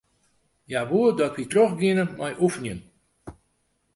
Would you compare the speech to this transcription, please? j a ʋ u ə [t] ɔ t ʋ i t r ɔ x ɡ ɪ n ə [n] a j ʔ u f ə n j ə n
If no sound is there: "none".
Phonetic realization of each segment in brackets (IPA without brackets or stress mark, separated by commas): d, m